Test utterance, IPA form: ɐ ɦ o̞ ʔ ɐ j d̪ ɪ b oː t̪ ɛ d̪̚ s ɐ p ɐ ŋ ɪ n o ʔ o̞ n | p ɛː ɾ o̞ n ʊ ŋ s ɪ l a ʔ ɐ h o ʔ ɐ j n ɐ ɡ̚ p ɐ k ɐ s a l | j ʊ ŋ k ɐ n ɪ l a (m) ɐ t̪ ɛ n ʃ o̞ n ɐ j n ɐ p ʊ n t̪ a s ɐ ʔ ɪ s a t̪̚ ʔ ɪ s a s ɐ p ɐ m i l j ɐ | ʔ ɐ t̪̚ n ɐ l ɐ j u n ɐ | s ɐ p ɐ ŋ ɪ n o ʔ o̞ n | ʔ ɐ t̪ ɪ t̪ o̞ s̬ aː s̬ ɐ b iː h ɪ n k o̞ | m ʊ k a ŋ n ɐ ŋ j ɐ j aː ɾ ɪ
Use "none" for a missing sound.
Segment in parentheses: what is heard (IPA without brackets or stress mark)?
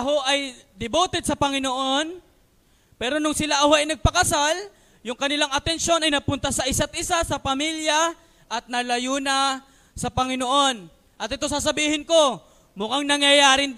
ŋ